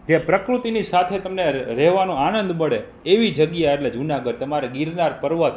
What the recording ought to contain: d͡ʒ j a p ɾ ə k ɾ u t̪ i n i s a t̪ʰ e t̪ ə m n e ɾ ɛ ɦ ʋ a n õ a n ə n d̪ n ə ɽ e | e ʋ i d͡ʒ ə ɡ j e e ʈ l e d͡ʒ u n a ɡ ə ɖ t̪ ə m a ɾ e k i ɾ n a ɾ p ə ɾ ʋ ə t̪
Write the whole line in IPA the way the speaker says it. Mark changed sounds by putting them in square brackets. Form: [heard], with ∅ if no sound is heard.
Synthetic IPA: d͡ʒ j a p ɾ ə k ɾ u t̪ i n i s a t̪ʰ e t̪ ə m n e ɾ ɛ ɦ ʋ a n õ a n ə n d̪ [m] ə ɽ e | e ʋ i d͡ʒ ə ɡ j [a] e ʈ l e d͡ʒ u n a ɡ ə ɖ t̪ ə m a ɾ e [ɡ] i ɾ n a ɾ p ə ɾ ʋ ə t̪